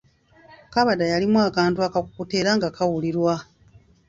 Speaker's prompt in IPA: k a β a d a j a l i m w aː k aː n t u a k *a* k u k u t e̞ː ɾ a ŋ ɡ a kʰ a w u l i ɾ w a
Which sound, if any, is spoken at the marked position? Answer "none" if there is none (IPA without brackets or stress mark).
a